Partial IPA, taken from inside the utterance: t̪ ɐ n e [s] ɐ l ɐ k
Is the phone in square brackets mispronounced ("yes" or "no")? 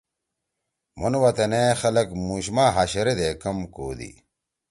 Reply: yes